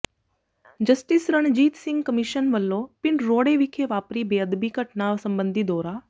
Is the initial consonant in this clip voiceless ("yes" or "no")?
no